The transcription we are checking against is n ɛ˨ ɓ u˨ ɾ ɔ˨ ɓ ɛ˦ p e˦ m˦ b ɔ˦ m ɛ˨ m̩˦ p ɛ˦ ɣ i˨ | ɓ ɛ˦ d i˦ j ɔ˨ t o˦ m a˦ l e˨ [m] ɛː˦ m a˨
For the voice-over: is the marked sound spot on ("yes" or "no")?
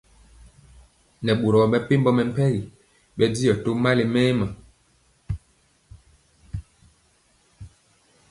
yes